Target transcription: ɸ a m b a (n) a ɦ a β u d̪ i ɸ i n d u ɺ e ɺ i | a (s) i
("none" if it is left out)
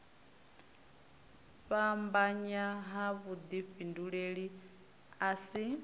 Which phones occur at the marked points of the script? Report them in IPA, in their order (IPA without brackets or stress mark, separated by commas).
ɲ, s